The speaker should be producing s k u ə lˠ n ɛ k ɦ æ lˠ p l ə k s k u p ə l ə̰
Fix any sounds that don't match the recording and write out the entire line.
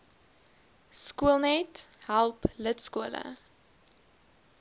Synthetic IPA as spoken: s k u ə lˠ n ɛ t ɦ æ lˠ p l ə t s k u ə l ə̰